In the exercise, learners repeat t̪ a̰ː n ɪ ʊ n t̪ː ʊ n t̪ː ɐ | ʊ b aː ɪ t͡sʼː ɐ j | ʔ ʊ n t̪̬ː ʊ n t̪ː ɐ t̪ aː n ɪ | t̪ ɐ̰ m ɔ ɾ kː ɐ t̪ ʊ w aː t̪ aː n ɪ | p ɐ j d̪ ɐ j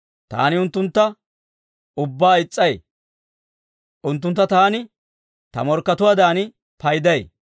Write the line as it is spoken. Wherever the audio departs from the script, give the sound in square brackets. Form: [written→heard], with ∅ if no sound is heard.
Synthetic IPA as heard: t̪ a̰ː n ɪ ʊ n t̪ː ʊ n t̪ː ɐ | ʊ [b→bː] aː ɪ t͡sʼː ɐ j | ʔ ʊ n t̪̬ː ʊ n t̪ː ɐ t̪ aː n ɪ | t̪ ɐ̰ m ɔ ɾ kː ɐ t̪ ʊ w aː [t̪→d̪] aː n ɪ | p ɐ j d̪ ɐ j